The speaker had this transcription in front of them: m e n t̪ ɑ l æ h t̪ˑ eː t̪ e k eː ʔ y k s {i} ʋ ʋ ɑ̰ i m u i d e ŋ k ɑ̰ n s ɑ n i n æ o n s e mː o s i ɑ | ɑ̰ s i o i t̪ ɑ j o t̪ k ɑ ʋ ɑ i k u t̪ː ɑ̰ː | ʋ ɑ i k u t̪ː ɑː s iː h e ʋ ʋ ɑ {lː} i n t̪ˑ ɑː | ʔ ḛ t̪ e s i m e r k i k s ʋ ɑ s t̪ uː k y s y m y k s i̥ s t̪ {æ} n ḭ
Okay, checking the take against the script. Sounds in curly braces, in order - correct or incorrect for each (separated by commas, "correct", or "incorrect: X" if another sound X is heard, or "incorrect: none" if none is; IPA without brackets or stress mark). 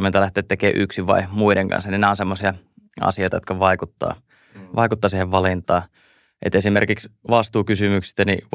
correct, incorrect: l, correct